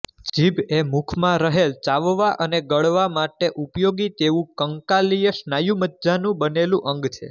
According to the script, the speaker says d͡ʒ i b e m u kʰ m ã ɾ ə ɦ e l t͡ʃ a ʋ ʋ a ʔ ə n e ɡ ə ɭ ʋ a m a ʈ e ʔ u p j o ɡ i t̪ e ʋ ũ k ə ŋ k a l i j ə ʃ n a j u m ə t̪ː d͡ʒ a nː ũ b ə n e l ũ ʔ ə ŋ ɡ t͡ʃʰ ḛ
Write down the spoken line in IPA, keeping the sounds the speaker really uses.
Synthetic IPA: d͡ʒ i b e m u kʰ m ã ɾ ə ɦ e l t͡ʃ a ʋ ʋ a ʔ ə n e ɡ ə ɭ ʋ a m a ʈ e ʔ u p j o ɡ i t̪ e ʋ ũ k ə ŋ k a l i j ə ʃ n a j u m ə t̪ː d͡ʒ a n ũ b ə n e l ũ ʔ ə ŋ ɡ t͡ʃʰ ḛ